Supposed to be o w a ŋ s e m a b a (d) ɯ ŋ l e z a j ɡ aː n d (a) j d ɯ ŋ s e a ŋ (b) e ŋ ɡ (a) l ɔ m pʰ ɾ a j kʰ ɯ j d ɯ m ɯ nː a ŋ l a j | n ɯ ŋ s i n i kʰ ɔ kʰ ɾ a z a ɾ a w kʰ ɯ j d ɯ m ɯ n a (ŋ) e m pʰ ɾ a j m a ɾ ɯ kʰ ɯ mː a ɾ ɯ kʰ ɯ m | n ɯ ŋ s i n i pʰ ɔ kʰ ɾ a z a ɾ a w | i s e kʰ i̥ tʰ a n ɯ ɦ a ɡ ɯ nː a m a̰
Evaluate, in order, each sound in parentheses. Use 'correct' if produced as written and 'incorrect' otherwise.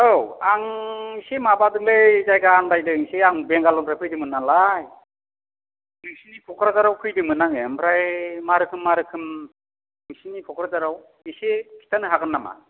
correct, correct, correct, correct, correct

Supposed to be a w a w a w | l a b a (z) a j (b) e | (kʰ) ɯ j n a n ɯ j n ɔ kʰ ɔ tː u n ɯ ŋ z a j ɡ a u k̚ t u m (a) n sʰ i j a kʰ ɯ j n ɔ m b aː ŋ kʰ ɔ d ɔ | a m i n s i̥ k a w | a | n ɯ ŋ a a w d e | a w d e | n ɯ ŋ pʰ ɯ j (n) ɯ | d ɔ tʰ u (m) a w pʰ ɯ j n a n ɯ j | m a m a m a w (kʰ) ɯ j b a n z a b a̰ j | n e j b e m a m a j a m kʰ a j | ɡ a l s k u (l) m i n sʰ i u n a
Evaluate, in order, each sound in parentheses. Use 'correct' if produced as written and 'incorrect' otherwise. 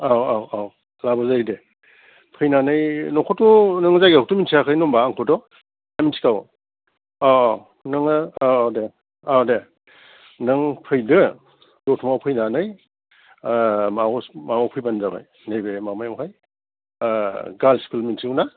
correct, incorrect: d, incorrect: pʰ, incorrect: i, incorrect: d, correct, incorrect: pʰ, correct

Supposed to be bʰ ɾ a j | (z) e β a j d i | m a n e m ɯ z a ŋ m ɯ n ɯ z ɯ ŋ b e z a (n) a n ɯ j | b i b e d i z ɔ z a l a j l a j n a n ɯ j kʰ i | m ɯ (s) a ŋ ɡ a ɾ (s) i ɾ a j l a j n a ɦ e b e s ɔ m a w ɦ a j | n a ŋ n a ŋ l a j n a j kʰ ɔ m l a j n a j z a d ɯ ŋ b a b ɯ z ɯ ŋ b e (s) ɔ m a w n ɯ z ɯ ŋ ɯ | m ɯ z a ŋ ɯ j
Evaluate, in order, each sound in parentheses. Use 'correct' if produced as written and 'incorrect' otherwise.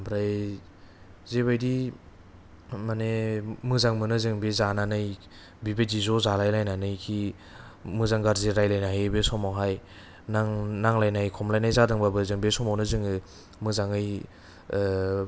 correct, correct, incorrect: z, incorrect: z, correct

